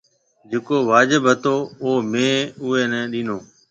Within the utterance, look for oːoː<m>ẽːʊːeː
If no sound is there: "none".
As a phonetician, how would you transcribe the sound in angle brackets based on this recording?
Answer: m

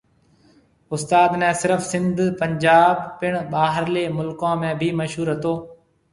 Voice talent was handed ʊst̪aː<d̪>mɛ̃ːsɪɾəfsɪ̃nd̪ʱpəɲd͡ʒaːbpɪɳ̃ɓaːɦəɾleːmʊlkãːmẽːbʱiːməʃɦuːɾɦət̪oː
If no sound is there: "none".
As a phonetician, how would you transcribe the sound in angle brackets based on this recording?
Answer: d̪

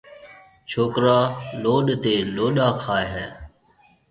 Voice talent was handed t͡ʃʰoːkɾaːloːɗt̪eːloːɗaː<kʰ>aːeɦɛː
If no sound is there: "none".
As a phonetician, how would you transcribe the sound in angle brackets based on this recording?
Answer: kʰ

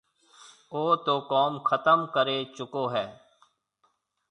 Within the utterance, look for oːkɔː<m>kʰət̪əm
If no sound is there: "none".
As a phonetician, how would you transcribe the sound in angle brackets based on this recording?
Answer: m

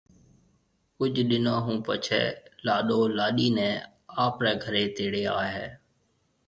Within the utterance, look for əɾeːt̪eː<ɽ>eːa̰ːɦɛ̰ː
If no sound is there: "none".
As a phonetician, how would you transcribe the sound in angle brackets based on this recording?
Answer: ɽ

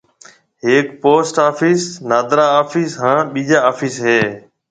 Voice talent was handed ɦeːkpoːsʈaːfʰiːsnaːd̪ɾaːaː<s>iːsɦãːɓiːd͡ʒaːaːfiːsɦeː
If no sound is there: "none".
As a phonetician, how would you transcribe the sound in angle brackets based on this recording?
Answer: f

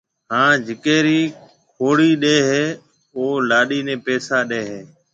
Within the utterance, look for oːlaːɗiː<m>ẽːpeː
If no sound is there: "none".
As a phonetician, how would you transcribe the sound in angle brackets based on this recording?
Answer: n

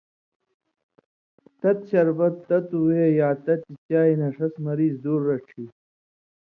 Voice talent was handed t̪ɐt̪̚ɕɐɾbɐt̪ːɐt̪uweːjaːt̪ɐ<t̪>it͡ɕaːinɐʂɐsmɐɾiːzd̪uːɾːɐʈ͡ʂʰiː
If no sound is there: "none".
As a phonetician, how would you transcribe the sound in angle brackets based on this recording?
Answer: t̪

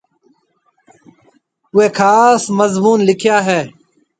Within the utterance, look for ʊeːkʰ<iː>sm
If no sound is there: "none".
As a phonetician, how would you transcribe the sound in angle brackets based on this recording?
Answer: aː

